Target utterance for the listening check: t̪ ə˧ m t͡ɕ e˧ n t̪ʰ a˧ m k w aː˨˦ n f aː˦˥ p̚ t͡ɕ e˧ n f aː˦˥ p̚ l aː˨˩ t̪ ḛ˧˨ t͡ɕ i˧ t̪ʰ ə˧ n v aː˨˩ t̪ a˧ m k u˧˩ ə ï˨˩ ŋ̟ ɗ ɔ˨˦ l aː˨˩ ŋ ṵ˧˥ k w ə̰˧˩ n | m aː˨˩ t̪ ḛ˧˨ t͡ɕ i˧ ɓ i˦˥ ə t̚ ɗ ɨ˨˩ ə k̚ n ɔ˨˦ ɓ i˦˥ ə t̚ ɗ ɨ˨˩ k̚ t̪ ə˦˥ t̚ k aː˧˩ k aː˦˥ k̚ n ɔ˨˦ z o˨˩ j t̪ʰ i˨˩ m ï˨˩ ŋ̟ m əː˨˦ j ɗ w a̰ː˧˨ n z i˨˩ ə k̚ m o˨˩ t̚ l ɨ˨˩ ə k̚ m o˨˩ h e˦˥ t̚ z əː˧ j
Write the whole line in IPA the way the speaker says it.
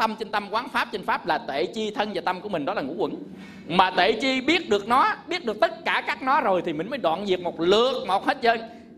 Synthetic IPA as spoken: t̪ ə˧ m t͡ɕ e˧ n t̪ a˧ m k w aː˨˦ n f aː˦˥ p̚ t͡ɕ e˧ n f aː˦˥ p̚ l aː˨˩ t̪ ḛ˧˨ t͡ɕ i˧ t̪ʰ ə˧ n v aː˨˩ t̪ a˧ m k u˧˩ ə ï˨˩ ŋ̟ ɗ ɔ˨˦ l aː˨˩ ŋ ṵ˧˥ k w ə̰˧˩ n | m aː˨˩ t̪ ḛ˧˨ t͡ɕ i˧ ɓ i˦˥ ə t̚ ɗ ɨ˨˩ ə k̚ n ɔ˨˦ ɓ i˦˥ ə t̚ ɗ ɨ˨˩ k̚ t̪ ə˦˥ t̚ k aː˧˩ k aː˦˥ k̚ n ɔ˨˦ z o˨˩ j t̪ʰ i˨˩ m ï˨˩ ŋ̟ m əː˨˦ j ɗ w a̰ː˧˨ n z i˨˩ ə k̚ m o˨˩ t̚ l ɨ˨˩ ə k̚ m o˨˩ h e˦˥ t̚ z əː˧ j